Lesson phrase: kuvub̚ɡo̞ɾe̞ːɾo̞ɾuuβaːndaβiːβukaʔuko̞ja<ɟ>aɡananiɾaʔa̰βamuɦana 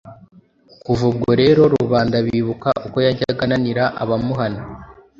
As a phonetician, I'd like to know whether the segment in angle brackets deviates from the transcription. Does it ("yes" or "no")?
no